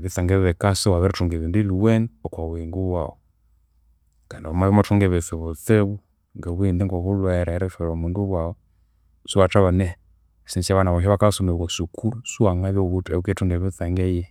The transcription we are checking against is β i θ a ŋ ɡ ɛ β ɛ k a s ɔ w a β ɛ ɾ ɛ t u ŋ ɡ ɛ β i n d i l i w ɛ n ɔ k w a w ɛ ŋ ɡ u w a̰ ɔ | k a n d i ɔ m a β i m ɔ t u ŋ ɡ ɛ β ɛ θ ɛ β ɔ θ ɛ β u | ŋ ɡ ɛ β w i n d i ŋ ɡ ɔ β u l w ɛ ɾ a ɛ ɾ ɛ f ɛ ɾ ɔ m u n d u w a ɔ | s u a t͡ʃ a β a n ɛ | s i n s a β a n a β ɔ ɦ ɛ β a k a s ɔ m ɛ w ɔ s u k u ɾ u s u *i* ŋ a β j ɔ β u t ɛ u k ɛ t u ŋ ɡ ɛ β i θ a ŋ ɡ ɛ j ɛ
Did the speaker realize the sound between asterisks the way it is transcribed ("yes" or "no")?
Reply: no